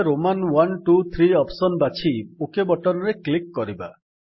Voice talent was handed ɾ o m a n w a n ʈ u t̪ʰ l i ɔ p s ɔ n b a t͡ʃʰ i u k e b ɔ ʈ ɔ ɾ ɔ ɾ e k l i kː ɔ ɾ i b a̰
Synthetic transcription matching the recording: ɾ o m a n w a n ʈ u t̪ʰ ɾ i ɔ p s ɔ n b a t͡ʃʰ i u k e b ɔ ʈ ɔ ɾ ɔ ɾ e k l i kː ɔ ɾ i b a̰

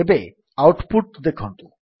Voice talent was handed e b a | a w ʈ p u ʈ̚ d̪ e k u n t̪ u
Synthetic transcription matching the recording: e b e | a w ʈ p u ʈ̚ d̪ e kʰ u n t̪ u

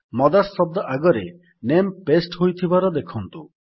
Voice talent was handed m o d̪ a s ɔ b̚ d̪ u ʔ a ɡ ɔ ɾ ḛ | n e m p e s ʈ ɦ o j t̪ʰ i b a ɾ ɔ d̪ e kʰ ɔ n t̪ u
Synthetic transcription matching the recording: m ɔ d̪ a s ɔ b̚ d̪ ɔ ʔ a ɡ ɔ ɾ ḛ | n e m p e s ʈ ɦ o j t̪ʰ i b a ɾ ɔ d̪ e kʰ ɔ n t̪ u

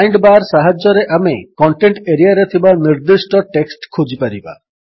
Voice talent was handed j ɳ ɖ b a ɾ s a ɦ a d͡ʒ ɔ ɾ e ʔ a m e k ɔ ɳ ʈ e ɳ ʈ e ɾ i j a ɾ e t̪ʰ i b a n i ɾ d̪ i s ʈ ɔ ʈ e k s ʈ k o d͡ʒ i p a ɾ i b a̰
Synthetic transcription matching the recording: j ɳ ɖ b a ɾ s a ɦ a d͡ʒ ɔ ɾ e ʔ a m e k ɔ ɳ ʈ e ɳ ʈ e ɾ i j a ɾ e t̪ʰ i b a n i ɾ d̪ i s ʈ ɔ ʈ e k s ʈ kʰ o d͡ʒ i p a ɾ i b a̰

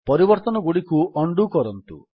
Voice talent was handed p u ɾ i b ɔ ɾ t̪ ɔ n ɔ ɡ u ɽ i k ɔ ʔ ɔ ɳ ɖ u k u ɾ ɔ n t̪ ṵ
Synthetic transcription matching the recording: p ɔ ɾ i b ɔ ɾ t̪ ɔ n ɔ ɡ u ɽ i k u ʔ ɔ ɳ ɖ u k ɔ ɾ ɔ n t̪ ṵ

